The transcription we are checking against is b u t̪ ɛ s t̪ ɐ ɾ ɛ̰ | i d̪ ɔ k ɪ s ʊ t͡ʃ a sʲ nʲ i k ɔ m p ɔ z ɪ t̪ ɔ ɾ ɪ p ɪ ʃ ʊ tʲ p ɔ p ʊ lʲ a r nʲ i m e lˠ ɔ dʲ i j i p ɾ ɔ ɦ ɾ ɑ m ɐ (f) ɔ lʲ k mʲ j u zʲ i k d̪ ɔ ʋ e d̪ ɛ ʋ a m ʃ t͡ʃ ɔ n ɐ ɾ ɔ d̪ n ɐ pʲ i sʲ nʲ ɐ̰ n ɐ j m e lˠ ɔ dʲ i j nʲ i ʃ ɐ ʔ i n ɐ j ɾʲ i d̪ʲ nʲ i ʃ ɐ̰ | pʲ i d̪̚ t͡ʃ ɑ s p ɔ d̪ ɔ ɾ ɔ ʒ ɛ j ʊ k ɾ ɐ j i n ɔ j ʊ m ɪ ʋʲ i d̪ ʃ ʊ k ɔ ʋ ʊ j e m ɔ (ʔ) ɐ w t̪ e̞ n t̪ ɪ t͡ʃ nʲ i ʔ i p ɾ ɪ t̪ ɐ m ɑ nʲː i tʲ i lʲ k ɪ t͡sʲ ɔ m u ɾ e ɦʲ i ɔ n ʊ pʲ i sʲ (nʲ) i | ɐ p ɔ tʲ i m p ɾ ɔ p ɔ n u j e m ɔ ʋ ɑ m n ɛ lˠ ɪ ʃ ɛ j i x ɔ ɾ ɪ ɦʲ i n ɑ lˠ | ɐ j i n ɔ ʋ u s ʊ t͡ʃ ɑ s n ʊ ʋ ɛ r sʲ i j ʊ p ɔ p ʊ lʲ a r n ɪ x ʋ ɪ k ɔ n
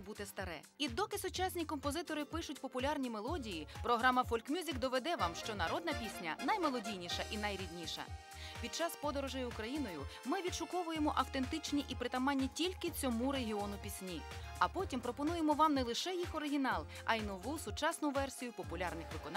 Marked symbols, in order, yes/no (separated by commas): yes, yes, yes